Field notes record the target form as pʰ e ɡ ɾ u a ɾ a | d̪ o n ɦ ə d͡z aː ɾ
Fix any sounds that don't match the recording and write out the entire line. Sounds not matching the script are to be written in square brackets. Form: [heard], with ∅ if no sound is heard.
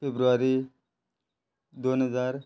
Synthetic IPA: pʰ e [b] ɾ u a ɾ [i] | d̪ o n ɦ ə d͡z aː ɾ